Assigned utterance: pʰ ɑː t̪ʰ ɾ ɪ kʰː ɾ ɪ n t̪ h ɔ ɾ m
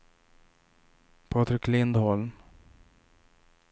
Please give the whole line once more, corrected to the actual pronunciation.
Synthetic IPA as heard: pʰ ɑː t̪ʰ ɾ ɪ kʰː l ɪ n d̪ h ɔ l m

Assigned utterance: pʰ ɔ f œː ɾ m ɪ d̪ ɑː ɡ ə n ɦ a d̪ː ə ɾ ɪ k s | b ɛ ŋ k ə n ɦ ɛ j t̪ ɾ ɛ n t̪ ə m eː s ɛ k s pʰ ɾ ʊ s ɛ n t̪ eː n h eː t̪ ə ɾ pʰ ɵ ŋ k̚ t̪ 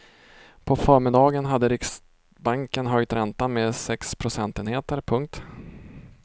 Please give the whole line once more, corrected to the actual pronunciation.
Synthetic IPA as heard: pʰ ɔ f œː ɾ m ɪ d̪ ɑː ɡ ə n ɦ a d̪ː ə ɾ ɪ k s | b a ŋ k ə n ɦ œ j t̪ ɾ ɛ n t̪ a m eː s ɛ k s pʰ ɾ ʊ s ɛ n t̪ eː n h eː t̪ ə ɾ pʰ ɵ ŋ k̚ t̪

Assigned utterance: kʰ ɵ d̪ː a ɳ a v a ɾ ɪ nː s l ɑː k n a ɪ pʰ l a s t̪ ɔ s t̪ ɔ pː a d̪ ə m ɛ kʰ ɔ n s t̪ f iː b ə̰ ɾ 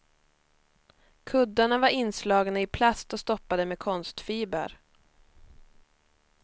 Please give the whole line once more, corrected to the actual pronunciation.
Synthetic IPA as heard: kʰ ɵ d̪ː a ɳ a v a ɾ ɪ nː s l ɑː ɡ n a ɪ pʰ l a s t̪ ɔ s t̪ ɔ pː a d̪ ə m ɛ kʰ ɔ n s t̪ f iː b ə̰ ɾ

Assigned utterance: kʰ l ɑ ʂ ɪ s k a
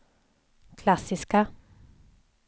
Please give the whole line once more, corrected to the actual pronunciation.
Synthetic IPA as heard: kʰ l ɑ s ɪ s k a

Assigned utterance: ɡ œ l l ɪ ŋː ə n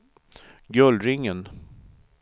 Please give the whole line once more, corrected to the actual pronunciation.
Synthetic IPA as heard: ɡ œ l ɾ ɪ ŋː ə n

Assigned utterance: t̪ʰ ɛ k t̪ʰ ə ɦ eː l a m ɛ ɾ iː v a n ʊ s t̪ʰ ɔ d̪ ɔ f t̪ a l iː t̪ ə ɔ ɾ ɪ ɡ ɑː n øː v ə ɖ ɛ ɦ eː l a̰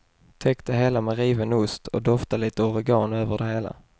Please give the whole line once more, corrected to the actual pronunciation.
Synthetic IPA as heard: t̪ʰ ɛ k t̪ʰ ə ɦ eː l a m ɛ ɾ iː v ə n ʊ s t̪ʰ ɔ d̪ ɔ f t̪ a l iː t̪ ə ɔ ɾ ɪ ɡ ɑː n øː v ə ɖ ɛ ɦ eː l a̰

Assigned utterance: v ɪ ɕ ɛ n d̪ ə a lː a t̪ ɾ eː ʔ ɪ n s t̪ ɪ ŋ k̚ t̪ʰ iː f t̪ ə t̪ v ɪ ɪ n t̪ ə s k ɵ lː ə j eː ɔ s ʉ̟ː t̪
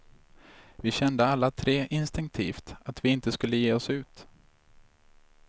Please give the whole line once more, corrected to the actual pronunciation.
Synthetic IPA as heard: v ɪ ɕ ɛ n d̪ ə a lː a t̪ʰ ɾ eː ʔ ɪ n s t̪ ɪ ŋ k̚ t̪ʰ iː f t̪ a t̪ v ɪ ɪ n t̪ ə s k ɵ lː ə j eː ɔ s ʉ̟ː t̪

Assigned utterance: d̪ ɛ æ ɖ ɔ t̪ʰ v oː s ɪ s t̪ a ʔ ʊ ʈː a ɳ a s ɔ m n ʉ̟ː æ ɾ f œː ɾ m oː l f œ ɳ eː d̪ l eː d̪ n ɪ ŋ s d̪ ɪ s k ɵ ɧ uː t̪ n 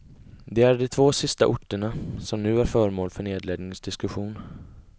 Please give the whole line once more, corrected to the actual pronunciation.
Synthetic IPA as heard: d̪ ɛ æ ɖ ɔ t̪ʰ v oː s ɪ s t̪ a ʔ ʊ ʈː ə ɳ a s ɔ m n ʉ̟ː æ ɾ f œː ɾ m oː l f œ ɳ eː d̪ l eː d̪ n ɪ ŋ s d̪ ɪ s k ɵ ɧ uː n

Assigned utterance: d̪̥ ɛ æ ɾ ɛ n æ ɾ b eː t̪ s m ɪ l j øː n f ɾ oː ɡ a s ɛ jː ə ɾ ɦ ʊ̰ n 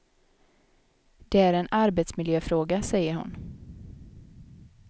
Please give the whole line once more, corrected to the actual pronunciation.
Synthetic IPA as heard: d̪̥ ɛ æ ɾ ɛ n a ɾ b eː t̪ s m ɪ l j øː f ɾ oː ɡ a s ɛ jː ə ɾ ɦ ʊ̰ n

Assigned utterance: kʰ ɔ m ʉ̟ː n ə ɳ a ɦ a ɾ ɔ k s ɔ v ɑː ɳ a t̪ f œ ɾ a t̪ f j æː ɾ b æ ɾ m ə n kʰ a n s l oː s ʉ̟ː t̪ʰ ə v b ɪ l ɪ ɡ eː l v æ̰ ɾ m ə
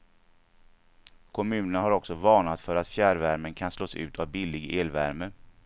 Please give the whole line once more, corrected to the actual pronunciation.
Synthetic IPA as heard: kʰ ɔ m ʉ̟ː n ə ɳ a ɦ a ɾ ɔ k s ɔ v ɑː ɳ a t̪ f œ ɾ a t̪ f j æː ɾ v æ ɾ m ə n kʰ a n s l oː s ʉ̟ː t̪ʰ a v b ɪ l ɪ ɡ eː l v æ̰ ɾ m ə

